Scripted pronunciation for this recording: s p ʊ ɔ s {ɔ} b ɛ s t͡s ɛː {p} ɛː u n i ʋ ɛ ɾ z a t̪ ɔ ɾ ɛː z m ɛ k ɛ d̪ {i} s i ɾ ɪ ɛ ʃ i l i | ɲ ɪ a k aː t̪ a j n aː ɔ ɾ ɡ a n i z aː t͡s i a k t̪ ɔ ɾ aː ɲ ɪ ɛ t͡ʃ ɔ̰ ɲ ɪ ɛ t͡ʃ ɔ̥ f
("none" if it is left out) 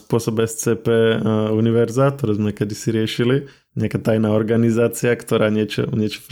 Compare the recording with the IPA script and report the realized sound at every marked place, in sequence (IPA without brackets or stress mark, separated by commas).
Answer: ɔ, p, i